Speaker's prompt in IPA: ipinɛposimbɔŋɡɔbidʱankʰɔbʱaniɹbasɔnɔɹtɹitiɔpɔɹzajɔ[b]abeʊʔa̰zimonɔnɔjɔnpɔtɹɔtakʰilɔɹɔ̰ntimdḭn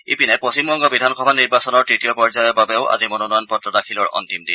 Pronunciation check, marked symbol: correct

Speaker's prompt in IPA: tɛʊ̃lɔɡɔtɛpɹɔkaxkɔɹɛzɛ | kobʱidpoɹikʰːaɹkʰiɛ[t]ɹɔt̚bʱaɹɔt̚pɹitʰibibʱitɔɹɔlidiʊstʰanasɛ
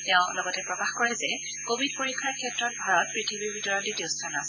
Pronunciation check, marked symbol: correct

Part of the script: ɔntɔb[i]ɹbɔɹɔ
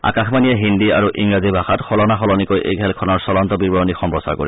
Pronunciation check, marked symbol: correct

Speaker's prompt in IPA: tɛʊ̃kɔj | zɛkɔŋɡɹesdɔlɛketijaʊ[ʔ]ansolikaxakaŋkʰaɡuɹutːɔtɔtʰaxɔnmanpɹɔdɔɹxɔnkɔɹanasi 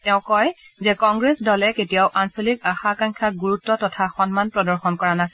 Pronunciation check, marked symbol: correct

